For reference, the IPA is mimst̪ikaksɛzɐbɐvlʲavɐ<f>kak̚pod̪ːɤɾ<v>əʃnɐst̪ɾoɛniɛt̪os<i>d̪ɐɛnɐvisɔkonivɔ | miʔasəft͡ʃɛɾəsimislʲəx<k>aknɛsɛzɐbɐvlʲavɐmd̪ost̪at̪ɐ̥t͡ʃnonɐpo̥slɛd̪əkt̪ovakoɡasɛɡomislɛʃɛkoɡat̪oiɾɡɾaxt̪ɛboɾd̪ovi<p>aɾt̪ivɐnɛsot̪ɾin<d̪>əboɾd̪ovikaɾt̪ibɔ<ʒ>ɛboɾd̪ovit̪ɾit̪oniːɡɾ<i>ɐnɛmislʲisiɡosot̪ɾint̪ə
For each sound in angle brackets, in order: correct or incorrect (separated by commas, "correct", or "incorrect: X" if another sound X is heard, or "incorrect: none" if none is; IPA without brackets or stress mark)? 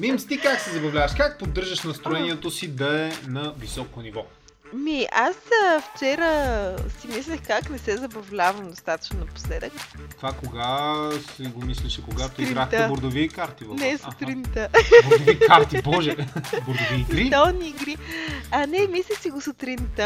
incorrect: ʃ, incorrect: ʒ, correct, correct, incorrect: k, incorrect: t̪, correct, correct